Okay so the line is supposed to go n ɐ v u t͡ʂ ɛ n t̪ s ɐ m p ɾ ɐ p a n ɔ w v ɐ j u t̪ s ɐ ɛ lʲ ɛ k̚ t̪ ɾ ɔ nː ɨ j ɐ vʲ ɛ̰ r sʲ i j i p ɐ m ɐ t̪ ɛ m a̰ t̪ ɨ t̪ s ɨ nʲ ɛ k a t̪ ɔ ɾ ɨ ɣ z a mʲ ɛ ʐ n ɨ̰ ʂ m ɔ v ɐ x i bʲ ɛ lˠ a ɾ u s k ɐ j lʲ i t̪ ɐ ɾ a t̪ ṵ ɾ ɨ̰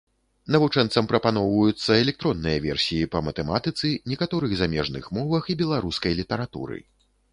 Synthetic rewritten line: n ɐ v u t͡ʂ ɛ n t̪ s ɐ m p ɾ ɐ p a n ɔ w v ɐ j u t̪ sː ɐ ɛ lʲ ɛ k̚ t̪ ɾ ɔ nː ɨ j ɐ vʲ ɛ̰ r sʲ i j i p ɐ m ɐ t̪ ɛ m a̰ t̪ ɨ t̪ s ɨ nʲ ɛ k a t̪ ɔ ɾ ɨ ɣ z a mʲ ɛ ʐ n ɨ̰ x m ɔ v ɐ x i bʲ ɛ lˠ a ɾ u s k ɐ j lʲ i t̪ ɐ ɾ a t̪ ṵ ɾ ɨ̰